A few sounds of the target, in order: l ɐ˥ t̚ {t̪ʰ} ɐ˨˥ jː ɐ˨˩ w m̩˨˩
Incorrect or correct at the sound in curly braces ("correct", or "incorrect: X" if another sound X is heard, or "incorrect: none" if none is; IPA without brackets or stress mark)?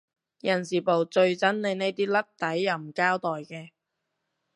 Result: incorrect: t̪